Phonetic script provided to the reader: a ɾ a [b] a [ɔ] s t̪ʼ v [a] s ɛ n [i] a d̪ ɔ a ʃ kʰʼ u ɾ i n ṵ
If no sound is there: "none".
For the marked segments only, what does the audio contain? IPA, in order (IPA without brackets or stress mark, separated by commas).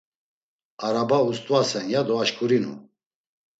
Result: b, u, a, j